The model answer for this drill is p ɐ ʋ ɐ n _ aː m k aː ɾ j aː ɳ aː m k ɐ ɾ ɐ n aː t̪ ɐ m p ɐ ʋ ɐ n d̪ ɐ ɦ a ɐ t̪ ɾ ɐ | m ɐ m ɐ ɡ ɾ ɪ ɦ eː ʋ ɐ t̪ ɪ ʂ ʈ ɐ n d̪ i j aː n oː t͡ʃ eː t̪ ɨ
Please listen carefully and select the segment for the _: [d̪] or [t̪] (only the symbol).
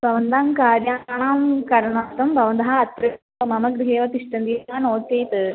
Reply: d̪